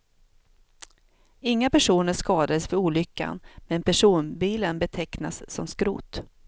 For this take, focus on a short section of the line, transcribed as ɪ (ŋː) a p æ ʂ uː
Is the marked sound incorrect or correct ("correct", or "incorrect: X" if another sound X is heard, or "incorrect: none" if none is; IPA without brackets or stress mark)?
correct